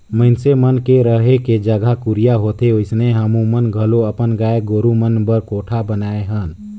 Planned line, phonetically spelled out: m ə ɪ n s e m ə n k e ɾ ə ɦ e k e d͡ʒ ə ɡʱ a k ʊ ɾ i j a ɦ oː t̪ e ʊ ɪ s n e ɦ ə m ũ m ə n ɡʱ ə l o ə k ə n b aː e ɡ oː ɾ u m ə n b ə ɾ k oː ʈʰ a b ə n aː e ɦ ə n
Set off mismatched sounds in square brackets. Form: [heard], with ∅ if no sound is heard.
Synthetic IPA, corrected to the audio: m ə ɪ n s e m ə n k e ɾ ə ɦ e k e d͡ʒ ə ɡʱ a k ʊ ɾ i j a ɦ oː t̪ e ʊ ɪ s n e ɦ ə m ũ m ə n ɡʱ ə l o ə [p] ə n [ɡ] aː e ɡ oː ɾ u m ə n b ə ɾ k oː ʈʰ a b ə n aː e ɦ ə n